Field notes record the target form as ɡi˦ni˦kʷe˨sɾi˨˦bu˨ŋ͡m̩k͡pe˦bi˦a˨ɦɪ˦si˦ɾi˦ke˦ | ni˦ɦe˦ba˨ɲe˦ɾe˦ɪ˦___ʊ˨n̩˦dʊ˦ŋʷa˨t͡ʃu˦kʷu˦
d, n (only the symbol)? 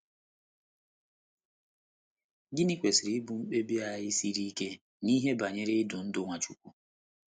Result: d